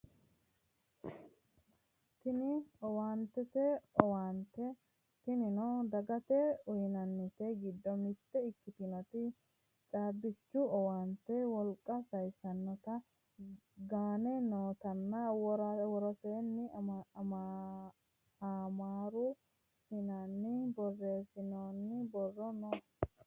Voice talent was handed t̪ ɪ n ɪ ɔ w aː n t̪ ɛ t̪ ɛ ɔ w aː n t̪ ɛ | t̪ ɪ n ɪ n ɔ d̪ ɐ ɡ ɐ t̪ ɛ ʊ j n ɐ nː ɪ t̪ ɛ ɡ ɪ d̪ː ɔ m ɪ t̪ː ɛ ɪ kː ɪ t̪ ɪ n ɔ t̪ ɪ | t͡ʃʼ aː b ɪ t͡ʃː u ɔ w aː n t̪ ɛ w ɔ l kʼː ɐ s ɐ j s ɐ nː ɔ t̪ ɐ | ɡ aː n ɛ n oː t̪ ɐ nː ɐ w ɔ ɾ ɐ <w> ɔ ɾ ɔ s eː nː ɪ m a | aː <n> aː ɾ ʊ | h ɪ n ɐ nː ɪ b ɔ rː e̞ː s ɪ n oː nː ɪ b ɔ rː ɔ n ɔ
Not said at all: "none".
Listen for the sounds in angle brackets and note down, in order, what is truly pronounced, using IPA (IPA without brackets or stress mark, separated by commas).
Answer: w, m